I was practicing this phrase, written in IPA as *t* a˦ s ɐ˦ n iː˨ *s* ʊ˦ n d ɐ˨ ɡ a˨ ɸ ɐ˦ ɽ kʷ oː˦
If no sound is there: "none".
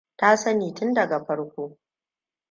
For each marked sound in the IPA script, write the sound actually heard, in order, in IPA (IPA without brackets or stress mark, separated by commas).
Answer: t, t